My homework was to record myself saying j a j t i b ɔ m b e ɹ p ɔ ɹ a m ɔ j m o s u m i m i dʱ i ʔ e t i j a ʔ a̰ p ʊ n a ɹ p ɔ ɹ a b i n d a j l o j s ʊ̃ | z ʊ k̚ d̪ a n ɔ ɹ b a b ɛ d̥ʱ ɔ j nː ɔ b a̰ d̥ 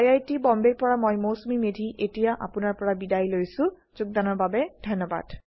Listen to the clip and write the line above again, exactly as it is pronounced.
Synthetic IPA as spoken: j a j t i b ɔ m b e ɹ p ɔ ɹ a m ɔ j m o s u m i m e dʱ i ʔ e t i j a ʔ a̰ p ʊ n a ɹ p ɔ ɹ a b i d a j l o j s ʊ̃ | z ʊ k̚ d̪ a n ɔ ɹ b a b ɛ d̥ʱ ɔ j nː ɔ b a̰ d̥